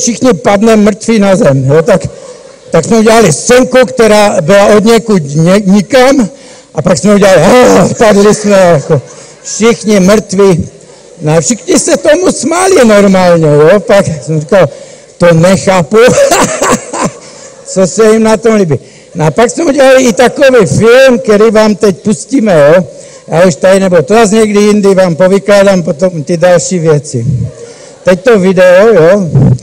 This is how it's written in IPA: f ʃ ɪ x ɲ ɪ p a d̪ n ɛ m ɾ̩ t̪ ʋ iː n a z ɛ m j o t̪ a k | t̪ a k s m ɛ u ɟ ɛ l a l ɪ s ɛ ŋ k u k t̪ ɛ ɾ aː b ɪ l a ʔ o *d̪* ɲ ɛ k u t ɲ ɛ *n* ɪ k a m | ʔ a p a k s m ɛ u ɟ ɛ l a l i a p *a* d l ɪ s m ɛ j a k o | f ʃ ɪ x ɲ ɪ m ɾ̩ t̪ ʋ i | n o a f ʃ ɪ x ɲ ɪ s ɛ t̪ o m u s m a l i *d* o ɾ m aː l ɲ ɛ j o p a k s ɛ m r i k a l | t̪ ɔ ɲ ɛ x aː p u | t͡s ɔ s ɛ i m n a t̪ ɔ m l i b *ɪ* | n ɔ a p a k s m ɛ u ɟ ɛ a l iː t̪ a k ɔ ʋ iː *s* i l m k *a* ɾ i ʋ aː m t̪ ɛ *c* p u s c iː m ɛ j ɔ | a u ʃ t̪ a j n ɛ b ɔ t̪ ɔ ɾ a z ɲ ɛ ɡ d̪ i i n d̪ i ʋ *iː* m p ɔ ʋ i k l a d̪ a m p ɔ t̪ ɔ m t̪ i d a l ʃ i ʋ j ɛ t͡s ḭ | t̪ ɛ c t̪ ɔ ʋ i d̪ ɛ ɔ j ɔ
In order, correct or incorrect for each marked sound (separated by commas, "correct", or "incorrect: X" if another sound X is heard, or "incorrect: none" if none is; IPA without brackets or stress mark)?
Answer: correct, incorrect: ɲ, correct, incorrect: n, incorrect: i, incorrect: f, incorrect: ɛ, correct, incorrect: aː